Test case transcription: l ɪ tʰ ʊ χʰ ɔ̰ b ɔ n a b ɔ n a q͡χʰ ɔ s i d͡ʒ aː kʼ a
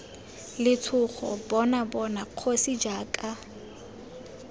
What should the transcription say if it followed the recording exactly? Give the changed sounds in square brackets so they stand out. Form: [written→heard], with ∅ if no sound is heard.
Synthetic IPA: l ɪ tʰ ʊ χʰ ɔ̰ b ɔ n a b ɔ n a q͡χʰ [ɔ→o] s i d͡ʒ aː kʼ a